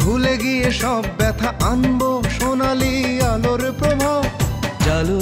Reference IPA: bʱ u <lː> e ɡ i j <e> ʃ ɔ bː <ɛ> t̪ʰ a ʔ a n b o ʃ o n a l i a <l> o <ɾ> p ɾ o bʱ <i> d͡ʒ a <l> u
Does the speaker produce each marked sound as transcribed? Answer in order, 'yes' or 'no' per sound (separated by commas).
no, yes, yes, yes, yes, no, yes